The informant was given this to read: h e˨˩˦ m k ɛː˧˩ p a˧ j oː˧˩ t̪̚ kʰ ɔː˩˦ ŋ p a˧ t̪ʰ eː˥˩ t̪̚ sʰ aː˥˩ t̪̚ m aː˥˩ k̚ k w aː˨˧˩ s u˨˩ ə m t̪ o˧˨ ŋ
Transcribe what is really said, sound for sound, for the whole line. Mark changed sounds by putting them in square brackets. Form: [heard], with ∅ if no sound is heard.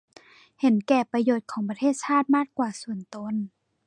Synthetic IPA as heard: h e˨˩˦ [n] k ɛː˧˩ p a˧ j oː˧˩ t̪̚ kʰ ɔː˩˦ ŋ p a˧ t̪ʰ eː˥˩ t̪̚ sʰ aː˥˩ t̪̚ m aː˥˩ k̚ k w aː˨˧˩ s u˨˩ ə [n] t̪ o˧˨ [n]